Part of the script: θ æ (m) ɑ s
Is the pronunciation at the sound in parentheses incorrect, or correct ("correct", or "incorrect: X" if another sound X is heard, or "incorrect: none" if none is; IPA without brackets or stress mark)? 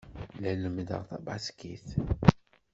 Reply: incorrect: b